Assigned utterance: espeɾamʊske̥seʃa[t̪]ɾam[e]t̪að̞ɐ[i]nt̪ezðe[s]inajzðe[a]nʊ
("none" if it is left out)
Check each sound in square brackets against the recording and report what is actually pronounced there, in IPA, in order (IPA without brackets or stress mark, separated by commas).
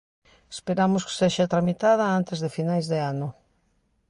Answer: t̪, i, a, f, a